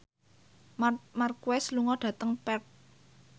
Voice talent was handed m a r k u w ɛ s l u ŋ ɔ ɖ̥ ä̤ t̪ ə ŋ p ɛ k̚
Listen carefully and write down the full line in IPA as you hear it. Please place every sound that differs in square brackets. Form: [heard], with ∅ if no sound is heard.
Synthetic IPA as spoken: m a r k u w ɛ s l u ŋ ɔ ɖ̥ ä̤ t̪ ə ŋ p ɛ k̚